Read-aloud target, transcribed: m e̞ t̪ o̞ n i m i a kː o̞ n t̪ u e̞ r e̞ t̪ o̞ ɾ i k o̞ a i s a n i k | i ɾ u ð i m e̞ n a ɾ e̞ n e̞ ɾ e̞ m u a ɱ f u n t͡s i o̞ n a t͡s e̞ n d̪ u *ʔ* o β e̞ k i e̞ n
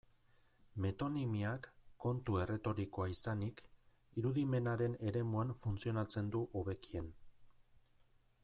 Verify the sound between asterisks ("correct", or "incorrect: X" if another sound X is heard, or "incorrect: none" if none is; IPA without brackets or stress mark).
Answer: correct